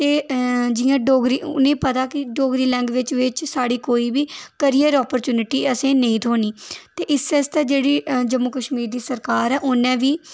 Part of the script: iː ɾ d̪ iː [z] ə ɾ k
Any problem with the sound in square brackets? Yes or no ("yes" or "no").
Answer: yes